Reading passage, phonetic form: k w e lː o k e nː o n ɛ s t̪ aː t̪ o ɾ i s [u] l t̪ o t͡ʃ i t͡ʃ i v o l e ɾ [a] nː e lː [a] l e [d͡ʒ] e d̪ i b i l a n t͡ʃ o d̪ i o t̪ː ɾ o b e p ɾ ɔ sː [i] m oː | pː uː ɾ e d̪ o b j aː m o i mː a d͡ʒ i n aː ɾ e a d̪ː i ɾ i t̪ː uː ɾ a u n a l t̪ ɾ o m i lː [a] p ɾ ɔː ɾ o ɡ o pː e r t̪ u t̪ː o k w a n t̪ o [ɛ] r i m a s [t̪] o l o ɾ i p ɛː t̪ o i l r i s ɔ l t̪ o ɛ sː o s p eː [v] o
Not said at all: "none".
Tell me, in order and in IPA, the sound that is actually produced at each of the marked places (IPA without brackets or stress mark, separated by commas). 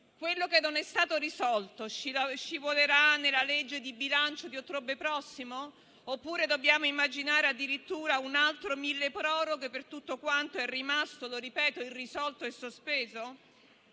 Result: ɔ, a, a, d͡ʒː, i, e, ɛ, t̪, z